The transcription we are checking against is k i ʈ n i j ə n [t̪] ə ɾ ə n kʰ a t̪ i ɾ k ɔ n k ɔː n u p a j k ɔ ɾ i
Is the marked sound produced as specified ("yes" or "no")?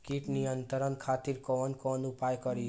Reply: yes